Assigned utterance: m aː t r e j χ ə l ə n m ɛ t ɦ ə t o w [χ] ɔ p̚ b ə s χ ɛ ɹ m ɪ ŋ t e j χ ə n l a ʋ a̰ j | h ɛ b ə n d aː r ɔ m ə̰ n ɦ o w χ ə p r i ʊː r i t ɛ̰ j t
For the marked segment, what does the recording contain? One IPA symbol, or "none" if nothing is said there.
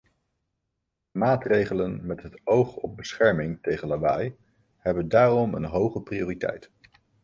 χ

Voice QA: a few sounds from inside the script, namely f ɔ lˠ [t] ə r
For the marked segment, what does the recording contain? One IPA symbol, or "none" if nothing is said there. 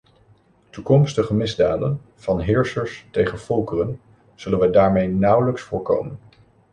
k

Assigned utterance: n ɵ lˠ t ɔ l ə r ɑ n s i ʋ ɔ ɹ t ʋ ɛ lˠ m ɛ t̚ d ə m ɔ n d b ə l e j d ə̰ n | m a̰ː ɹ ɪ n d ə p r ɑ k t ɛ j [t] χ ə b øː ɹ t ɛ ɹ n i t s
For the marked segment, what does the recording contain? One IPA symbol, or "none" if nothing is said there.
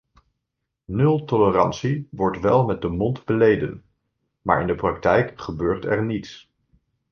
k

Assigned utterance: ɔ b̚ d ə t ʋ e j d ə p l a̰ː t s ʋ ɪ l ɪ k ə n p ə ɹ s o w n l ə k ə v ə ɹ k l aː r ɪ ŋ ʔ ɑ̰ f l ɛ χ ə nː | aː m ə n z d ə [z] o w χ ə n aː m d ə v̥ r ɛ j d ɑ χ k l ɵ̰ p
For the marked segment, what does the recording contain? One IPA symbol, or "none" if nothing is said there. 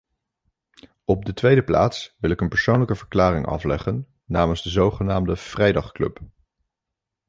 z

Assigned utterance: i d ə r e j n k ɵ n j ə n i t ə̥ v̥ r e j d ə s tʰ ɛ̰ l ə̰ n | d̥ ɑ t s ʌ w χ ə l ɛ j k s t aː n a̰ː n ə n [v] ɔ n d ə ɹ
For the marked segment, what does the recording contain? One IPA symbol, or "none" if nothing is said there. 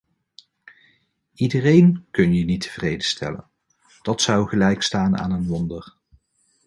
ʋ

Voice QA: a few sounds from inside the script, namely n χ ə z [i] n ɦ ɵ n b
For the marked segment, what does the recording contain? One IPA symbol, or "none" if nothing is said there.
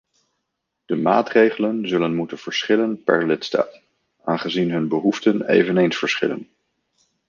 i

